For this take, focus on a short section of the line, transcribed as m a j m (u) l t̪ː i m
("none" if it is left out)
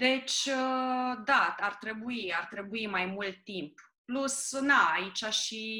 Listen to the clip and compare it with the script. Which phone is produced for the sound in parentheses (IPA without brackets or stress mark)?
u